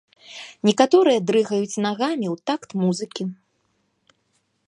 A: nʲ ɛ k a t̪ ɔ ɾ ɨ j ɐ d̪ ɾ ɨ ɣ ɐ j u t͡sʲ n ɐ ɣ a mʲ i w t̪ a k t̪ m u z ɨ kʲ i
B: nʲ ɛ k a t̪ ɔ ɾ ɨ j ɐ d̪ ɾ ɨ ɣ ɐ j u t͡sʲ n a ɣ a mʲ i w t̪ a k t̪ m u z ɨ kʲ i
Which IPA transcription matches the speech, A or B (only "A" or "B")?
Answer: B